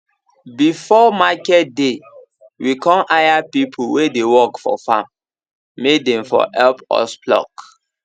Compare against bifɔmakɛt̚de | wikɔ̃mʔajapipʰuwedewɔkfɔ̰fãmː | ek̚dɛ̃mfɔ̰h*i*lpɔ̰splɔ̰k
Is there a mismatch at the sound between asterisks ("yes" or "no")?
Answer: yes